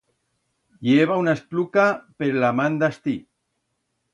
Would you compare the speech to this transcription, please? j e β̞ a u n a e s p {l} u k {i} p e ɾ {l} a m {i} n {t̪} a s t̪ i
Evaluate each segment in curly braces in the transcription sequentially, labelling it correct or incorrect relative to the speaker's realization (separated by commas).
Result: correct, incorrect, correct, incorrect, incorrect